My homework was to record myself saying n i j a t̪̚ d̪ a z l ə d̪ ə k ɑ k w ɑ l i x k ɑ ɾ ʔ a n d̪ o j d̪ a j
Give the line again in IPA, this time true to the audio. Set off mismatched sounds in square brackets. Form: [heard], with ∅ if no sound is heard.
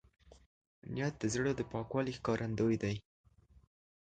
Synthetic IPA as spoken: n i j a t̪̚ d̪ [ə] z [ɽ] ə d̪ ə [p] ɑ k w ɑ l i x k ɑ ɾ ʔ a n d̪ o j d̪ a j